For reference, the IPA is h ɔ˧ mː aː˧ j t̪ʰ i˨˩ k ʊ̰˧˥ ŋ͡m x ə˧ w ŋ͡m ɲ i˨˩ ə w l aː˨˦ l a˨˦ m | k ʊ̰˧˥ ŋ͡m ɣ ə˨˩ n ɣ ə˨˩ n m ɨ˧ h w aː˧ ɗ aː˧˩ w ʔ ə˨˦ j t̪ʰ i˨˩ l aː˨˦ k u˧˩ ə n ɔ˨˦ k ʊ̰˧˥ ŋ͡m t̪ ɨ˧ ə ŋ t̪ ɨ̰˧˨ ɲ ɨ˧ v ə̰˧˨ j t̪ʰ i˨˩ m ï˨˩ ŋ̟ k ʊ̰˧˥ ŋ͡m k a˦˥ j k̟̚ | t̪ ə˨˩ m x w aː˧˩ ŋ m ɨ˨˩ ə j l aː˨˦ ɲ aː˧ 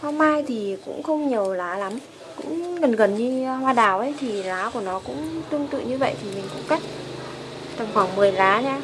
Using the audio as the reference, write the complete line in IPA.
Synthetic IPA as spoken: h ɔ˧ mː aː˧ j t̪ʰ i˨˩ k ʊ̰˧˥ ŋ͡m x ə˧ w ŋ͡m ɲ i˨˩ ə w l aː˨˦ l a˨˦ m | k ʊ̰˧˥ ŋ͡m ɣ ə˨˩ n ɣ ə˨˩ n ɲ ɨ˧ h w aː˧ ɗ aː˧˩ w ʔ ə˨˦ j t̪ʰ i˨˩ l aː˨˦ k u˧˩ ə n ɔ˨˦ k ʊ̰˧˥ ŋ͡m t̪ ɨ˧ ə ŋ t̪ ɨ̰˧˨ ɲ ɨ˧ v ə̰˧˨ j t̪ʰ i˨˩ m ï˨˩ ŋ̟ k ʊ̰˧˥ ŋ͡m k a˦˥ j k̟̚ | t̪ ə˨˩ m x w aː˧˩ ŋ m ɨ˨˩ ə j l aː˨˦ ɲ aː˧